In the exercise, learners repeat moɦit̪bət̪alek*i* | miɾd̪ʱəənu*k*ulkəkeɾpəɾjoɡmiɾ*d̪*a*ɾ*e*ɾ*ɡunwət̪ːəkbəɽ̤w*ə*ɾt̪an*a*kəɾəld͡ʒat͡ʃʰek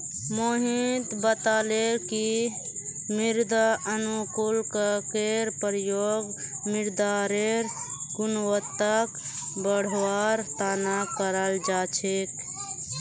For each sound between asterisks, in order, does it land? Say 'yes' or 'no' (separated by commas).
yes, yes, yes, yes, yes, no, yes